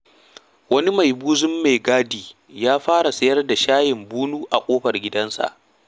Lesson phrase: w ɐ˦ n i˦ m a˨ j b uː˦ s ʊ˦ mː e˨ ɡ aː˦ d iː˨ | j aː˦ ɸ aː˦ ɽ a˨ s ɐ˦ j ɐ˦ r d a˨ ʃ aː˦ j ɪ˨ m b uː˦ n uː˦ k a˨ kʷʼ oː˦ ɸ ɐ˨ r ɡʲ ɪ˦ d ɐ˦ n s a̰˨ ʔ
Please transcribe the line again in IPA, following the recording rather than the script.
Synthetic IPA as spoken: w ɐ˦ n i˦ m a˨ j b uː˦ z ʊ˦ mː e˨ ɡ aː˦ d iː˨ | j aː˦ ɸ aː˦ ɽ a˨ s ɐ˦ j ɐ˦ r d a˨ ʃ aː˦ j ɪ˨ m b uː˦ n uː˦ ʔ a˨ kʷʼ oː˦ ɸ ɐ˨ r ɡʲ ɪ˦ d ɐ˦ n s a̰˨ ʔ

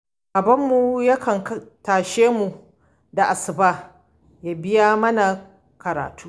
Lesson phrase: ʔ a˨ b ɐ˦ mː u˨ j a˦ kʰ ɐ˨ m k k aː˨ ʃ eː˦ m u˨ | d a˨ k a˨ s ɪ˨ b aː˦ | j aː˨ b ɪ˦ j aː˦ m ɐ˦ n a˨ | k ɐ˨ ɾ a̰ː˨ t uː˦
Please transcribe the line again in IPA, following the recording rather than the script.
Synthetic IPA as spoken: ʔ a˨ b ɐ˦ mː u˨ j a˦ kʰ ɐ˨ ŋ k t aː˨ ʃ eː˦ m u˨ | d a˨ ʔ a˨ s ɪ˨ b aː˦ | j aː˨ b ɪ˦ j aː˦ m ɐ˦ n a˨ | k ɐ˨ ɾ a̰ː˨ t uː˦

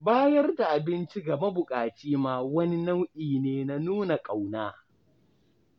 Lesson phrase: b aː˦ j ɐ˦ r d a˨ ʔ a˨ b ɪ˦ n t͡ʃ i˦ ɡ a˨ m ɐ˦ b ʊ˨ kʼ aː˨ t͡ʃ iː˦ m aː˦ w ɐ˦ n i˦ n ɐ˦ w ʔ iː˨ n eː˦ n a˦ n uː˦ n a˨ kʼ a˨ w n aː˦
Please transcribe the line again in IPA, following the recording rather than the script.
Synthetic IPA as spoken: b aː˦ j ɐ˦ r d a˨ ʔ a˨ b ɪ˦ n t͡ʃ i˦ ɡ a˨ m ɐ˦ b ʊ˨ kʼ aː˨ t͡ʃ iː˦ m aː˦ w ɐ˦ n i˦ n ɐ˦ w ʔ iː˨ n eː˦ n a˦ n uː˦ n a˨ kʼ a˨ w n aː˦

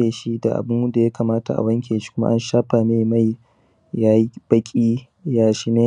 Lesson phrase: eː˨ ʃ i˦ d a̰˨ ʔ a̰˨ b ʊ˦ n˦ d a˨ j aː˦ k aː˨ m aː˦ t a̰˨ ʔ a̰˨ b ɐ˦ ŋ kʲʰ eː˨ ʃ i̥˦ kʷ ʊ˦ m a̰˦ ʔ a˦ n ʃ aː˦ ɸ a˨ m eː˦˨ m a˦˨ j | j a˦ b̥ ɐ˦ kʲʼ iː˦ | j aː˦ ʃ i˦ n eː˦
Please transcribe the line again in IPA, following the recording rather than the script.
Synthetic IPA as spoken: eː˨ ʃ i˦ d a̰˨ ʔ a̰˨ b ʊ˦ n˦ d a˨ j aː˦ k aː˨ m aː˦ t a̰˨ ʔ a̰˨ w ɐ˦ ŋ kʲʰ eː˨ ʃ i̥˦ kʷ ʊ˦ m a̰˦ ʔ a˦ n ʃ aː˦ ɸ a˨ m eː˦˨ m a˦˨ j | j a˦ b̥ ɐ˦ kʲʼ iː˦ | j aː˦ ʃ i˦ n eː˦

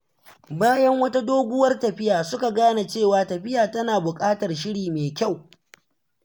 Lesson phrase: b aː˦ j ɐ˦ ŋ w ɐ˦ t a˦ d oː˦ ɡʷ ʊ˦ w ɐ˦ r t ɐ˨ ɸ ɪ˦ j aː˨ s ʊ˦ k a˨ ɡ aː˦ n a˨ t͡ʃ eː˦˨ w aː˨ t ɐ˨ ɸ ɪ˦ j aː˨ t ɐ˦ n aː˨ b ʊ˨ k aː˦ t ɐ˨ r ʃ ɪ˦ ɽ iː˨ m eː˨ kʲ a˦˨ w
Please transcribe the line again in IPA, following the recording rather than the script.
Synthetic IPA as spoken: b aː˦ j ɐ˦ ŋ w ɐ˦ t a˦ d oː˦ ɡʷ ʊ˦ w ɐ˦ r t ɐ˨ ɸ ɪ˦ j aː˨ s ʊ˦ k a˨ ɡ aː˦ n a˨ t͡ʃ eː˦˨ w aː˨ t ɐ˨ ɸ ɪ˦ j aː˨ t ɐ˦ n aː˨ b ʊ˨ kʼ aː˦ t ɐ˨ r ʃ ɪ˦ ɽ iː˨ m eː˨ kʲ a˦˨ w

